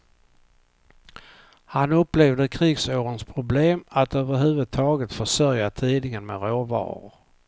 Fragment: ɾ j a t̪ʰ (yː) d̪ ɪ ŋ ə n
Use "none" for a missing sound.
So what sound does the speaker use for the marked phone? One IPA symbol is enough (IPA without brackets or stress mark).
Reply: iː